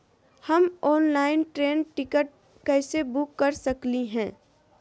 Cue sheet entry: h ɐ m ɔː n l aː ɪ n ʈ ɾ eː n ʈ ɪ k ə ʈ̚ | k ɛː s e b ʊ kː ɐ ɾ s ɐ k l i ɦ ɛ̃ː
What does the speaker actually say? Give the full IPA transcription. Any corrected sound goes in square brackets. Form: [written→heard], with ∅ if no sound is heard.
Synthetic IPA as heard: h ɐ m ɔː n l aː ɪ n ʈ ɾ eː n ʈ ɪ k ə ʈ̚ | k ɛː s e b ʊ kː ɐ ɾ s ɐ k l i ɦ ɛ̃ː